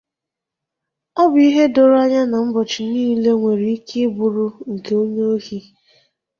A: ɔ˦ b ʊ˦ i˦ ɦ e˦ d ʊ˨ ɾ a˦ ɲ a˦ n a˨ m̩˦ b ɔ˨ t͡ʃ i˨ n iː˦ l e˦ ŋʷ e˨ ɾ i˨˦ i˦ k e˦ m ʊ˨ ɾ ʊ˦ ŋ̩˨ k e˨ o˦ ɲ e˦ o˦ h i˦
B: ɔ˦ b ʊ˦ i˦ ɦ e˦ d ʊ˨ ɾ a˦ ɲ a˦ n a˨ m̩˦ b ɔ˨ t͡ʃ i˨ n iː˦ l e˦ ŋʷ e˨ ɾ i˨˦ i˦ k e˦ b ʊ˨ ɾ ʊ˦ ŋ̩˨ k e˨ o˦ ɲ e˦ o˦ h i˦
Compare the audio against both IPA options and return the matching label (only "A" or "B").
B